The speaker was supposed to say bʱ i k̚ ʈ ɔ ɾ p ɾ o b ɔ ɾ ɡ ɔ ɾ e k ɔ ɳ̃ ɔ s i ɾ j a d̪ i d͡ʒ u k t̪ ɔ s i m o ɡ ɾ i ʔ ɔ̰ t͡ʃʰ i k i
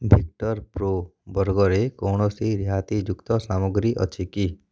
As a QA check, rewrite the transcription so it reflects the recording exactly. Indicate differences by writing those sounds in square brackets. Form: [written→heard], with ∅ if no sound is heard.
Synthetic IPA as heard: bʱ i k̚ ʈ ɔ ɾ p ɾ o b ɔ ɾ ɡ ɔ ɾ e k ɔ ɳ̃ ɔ s i ɾ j a [d̪→t̪] i d͡ʒ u k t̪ ɔ s [i→a] m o ɡ ɾ i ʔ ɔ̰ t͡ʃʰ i k i